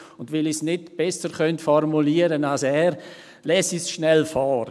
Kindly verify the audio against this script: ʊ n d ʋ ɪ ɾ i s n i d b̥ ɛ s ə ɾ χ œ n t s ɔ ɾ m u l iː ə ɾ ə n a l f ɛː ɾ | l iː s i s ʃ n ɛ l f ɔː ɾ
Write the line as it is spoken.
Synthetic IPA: ʊ n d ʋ ɪ l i s n ɪ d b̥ ɛ s ə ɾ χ œ n t f ɔ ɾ m u l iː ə ɾ ə n a l s ɛː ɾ | l ɛː s i s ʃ n ɛ l f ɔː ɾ